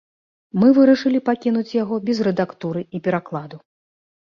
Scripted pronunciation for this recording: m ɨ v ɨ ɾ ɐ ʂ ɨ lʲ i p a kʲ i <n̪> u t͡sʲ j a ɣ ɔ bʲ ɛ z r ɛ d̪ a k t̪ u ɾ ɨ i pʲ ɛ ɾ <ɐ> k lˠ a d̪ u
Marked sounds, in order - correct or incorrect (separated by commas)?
correct, incorrect